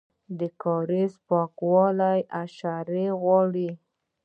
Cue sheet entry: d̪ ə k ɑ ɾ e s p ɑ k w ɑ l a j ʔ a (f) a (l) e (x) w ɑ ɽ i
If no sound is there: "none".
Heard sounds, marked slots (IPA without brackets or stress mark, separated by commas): ʃ, ɾ, ɣ